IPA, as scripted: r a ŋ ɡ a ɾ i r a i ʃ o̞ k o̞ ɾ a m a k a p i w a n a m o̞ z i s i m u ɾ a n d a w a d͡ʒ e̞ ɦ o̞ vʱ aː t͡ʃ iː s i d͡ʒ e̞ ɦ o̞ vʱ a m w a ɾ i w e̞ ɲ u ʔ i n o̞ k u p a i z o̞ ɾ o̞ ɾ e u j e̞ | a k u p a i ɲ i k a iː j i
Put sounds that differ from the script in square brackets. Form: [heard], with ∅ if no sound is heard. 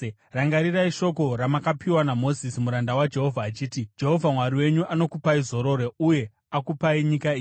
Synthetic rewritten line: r a ŋ ɡ a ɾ i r a i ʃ o̞ k o̞ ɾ a m a k a p i w a n a m o̞ z i s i m u ɾ a n d a w a d͡ʒ e̞ ɦ o̞ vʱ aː t͡ʃ iː [t] i d͡ʒ e̞ ɦ o̞ vʱ a m w a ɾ i w e̞ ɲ u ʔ [a] n o̞ k u p a i z o̞ ɾ o̞ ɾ e u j e̞ | a k u p a i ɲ i k a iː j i